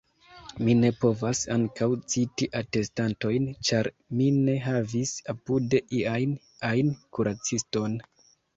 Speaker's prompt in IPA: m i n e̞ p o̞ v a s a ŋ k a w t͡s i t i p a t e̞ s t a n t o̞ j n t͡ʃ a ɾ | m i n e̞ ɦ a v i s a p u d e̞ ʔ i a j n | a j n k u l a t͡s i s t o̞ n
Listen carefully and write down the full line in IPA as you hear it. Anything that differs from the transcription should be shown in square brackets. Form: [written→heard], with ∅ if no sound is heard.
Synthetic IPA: m i n e̞ p o̞ v a s a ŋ k a w t͡s i t i [p→ʔ] a t e̞ s t a n t o̞ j n t͡ʃ a ɾ | m i n e̞ ɦ a v i s a p u d e̞ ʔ i a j n | a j n k u [l→ɾ] a t͡s i s t o̞ n